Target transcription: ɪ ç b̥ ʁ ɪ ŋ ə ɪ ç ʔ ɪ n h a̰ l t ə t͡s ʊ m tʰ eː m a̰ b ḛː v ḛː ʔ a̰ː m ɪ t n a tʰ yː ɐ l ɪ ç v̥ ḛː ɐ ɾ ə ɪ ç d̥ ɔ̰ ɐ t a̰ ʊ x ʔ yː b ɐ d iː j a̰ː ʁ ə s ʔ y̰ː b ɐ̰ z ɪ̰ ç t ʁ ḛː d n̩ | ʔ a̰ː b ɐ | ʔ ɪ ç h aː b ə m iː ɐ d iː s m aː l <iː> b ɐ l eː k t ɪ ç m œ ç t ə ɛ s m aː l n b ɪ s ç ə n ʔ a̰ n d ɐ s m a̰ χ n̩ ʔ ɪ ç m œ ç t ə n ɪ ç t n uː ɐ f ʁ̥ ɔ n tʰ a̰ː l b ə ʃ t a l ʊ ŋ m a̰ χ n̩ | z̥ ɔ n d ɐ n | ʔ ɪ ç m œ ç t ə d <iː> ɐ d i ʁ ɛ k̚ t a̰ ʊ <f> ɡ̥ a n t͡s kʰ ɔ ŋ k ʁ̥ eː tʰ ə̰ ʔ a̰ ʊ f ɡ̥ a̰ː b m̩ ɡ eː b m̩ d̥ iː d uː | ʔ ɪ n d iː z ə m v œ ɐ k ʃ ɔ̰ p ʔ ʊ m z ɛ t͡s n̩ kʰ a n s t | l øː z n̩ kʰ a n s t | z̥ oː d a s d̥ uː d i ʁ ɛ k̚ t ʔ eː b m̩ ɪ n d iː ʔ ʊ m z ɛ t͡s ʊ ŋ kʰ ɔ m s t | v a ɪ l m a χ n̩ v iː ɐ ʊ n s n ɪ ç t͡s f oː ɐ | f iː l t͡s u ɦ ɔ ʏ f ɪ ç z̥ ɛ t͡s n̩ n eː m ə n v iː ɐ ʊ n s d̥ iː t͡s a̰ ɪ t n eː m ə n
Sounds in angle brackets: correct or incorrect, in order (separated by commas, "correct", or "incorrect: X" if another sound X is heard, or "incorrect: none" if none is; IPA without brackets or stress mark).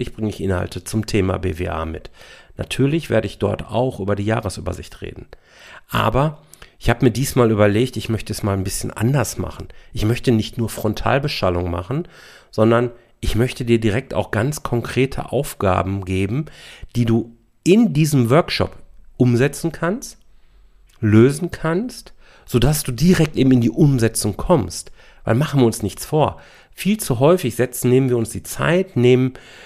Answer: incorrect: yː, correct, incorrect: x